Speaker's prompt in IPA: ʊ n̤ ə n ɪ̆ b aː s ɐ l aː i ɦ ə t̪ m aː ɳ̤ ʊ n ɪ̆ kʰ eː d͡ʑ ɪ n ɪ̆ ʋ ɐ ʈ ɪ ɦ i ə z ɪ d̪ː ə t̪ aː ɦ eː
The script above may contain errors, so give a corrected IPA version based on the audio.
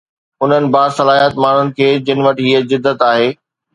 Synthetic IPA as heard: ʊ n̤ ə n ɪ̆ b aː s ɐ l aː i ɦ ə t̪ m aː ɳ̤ ʊ n ɪ̆ kʰ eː d͡ʑ ɪ n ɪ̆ ʋ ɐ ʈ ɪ ɦ i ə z ɪ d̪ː ə t̪ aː ɦ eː